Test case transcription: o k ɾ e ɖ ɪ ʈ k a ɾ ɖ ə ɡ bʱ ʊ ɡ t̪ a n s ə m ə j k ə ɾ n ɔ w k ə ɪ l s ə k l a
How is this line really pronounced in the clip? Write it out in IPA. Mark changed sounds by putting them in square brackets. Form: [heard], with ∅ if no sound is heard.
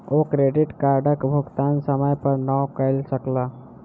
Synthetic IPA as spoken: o k ɾ e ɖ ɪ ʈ k a ɾ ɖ ə [k] bʱ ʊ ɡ t̪ a n s ə m ə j [p] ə ɾ n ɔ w k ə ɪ l s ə k l a